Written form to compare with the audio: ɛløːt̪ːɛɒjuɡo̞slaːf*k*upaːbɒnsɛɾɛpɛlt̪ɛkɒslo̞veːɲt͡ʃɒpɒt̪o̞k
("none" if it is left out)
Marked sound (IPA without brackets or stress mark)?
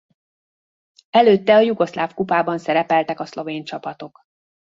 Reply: k